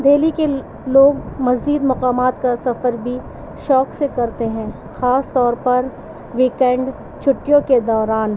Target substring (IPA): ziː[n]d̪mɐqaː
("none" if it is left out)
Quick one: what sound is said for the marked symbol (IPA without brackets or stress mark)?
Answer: none